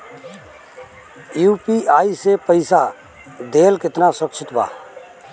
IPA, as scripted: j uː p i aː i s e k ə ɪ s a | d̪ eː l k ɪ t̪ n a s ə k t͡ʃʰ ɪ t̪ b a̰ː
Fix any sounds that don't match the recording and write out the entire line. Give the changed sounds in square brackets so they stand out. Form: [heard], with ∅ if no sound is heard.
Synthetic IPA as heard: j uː p i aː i s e [p] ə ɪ s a | d̪ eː l k ɪ t̪ n a s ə k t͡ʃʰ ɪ t̪ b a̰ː